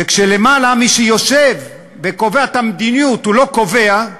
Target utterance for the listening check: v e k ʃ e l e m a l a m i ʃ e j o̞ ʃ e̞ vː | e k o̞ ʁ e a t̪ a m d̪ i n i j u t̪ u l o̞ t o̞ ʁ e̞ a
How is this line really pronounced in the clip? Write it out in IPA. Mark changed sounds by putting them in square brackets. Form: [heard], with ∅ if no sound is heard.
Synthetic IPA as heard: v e k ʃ e l e m a l a m i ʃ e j o̞ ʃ e̞ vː | e k o̞ [v] e a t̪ a m d̪ i n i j u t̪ u l o̞ [k] o̞ [v] e̞ a